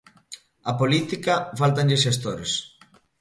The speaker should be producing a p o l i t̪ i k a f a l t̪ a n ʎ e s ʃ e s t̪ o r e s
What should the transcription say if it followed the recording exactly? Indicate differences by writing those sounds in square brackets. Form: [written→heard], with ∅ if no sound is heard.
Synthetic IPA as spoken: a p o l i t̪ i k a f a l t̪ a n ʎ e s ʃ e s t̪ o [r→ɾ] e s